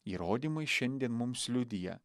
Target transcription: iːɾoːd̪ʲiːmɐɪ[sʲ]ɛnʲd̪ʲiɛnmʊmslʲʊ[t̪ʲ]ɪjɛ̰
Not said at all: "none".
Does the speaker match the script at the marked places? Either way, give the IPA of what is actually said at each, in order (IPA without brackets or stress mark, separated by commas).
ʃʲ, d̪ʲ